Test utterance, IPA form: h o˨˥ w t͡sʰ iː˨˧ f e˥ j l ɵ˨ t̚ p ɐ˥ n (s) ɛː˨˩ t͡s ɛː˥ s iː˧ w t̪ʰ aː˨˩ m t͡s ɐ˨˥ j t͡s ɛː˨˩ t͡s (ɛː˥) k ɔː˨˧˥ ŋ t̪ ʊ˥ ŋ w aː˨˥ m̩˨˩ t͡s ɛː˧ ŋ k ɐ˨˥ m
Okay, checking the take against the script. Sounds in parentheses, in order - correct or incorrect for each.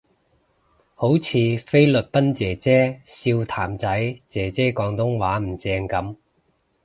incorrect: t͡s, correct

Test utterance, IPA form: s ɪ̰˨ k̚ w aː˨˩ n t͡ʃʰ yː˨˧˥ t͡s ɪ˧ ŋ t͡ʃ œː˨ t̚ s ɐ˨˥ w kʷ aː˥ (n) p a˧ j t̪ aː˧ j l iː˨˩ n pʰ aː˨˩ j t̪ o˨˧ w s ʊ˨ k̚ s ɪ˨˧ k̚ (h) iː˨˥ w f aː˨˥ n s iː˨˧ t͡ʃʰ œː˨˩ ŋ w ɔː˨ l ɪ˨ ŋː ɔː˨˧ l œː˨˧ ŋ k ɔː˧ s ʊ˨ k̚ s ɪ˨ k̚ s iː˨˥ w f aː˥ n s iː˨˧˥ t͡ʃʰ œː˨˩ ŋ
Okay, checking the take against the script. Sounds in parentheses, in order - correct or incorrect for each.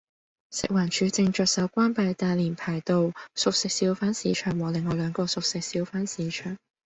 correct, incorrect: s

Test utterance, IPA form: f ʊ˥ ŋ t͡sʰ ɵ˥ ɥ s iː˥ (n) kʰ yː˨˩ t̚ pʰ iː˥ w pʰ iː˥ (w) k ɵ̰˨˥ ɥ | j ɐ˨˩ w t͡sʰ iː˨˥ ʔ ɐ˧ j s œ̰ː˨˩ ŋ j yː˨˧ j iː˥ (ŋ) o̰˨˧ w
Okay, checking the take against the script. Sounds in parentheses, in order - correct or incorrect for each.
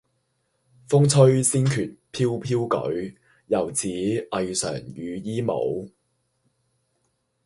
correct, correct, incorrect: m

